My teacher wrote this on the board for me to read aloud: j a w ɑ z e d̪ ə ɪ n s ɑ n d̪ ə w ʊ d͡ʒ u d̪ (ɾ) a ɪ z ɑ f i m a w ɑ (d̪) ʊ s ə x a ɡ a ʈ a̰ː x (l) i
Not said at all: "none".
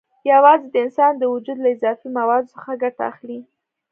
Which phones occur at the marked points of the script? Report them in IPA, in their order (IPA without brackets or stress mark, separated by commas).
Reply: l, d̪, l